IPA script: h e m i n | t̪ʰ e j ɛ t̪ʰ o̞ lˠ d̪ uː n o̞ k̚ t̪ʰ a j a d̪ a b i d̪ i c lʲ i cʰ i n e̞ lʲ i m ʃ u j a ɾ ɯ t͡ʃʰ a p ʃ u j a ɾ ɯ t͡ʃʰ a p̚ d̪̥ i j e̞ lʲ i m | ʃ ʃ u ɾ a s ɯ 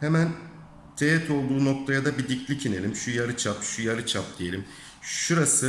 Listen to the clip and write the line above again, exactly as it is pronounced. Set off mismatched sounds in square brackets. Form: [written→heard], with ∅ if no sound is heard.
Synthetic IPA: h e m [i→æ] n | t̪ʰ e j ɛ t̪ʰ o̞ lˠ d̪ uː n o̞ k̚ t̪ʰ a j a d̪ a b i d̪ i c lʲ i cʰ i n e̞ lʲ i m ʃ u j a ɾ ɯ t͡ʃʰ a p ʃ u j a ɾ ɯ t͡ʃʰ a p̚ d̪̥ i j e̞ lʲ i m | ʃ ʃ u ɾ a s ɯ